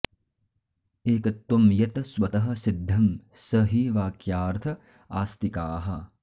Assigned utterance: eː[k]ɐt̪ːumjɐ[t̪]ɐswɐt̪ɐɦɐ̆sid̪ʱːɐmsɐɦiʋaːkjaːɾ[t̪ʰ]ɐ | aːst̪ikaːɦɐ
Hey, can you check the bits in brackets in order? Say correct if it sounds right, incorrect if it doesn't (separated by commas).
correct, correct, correct